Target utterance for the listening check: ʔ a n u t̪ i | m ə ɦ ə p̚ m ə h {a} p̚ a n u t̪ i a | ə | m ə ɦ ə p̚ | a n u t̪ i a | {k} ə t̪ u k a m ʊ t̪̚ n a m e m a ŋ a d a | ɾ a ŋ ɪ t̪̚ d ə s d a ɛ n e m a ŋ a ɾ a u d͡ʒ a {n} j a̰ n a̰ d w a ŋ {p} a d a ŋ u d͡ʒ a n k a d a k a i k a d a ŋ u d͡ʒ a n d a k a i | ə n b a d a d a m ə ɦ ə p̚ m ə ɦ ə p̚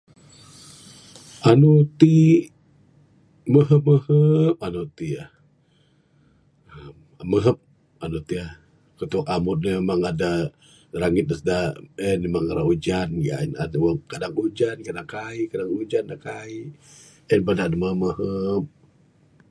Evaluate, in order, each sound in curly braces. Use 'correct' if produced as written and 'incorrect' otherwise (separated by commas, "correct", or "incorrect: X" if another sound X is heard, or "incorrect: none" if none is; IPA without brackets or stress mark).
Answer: incorrect: ə, correct, correct, incorrect: k